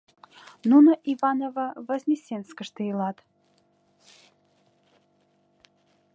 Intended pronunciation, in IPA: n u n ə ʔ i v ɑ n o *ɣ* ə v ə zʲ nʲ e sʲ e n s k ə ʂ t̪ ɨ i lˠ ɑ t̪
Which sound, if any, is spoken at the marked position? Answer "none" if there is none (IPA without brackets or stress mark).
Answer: v